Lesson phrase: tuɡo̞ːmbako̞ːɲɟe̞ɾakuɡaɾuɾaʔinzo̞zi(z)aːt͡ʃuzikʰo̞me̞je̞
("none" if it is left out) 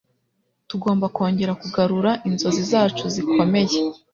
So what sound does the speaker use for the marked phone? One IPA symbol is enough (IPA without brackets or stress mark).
z